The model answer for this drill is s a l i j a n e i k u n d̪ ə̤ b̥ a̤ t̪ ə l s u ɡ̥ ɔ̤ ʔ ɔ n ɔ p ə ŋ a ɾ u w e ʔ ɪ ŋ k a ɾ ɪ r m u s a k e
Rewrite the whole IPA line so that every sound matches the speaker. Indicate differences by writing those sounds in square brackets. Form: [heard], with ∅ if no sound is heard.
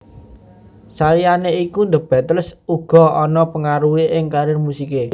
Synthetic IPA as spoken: s a l i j a n e i k u n d̪ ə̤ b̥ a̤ t̪ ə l s u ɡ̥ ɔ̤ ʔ ɔ n ɔ p ə ŋ a ɾ u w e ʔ ɪ ŋ k a ɾ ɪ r m u s [i] k e